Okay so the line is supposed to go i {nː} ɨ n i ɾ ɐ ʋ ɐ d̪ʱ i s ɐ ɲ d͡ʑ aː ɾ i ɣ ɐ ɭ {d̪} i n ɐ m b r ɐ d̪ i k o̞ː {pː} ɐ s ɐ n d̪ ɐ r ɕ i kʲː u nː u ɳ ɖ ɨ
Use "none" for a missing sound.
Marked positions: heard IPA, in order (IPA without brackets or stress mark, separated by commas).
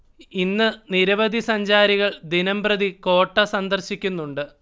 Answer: nː, d̪, ʈː